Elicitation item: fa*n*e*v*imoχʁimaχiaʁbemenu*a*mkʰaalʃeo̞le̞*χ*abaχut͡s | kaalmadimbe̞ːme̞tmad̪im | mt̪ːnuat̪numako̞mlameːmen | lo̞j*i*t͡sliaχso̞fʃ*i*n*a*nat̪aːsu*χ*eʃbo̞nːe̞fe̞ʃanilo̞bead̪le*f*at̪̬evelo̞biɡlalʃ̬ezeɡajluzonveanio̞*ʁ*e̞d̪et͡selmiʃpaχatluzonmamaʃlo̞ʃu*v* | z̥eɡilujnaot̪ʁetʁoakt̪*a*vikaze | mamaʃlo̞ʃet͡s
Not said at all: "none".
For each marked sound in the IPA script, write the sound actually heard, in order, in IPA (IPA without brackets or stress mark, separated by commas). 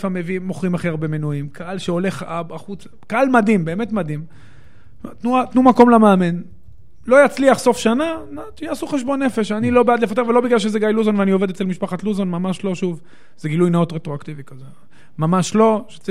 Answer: m, v, i, χ, a, a, a, χ, f, v, v, i